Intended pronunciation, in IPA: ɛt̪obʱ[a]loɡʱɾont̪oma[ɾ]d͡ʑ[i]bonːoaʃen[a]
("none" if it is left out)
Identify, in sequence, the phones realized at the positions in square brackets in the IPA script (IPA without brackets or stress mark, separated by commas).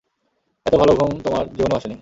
a, ɾ, i, i